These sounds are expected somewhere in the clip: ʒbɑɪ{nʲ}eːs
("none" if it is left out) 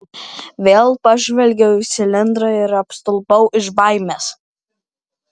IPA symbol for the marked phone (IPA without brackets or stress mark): mʲ